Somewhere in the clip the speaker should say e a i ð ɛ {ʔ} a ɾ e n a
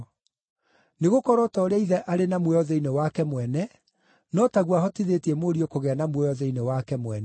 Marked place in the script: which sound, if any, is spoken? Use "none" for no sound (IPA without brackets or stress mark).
ʔ